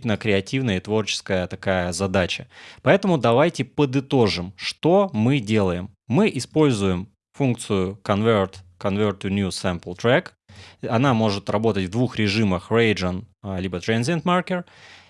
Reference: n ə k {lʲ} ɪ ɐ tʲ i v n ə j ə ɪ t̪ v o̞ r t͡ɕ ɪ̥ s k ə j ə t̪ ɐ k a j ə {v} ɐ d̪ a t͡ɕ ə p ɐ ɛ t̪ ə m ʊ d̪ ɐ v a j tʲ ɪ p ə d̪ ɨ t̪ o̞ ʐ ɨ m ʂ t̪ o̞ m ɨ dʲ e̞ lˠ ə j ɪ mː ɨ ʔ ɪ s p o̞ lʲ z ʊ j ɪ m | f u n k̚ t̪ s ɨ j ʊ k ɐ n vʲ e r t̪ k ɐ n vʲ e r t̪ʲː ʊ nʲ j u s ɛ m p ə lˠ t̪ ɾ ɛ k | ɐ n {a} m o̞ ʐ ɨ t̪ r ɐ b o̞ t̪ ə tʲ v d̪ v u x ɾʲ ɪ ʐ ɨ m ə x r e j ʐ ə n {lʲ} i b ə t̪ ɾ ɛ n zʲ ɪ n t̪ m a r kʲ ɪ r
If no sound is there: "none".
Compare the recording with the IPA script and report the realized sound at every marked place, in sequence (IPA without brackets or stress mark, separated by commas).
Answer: ɾʲ, z, a, lʲ